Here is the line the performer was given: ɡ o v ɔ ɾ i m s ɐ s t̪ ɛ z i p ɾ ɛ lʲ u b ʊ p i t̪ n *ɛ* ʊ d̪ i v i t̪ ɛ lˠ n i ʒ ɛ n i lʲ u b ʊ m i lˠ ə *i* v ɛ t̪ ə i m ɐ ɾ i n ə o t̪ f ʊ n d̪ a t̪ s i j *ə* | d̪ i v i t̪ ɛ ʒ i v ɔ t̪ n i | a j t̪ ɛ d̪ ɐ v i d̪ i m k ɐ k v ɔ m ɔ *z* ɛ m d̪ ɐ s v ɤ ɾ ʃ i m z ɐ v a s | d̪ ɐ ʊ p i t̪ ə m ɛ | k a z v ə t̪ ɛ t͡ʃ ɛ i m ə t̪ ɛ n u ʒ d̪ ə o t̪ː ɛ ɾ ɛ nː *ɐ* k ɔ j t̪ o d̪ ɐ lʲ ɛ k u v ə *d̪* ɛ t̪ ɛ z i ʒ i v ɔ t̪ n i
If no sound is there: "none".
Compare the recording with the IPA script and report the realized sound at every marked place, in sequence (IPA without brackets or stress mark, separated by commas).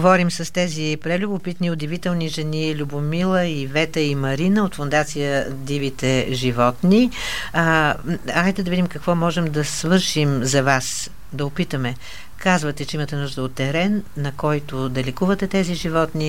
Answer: i, i, ə, ʒ, ɐ, t̪